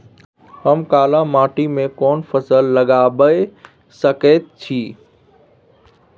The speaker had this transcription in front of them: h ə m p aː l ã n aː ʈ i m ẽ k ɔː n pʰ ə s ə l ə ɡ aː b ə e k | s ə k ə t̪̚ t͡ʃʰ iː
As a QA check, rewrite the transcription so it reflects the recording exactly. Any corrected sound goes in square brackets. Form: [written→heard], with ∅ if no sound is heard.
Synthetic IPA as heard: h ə m [p→k] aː l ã [n→m] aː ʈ i m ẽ k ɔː n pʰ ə s ə [l→lː] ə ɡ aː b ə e [k→∅] | s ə k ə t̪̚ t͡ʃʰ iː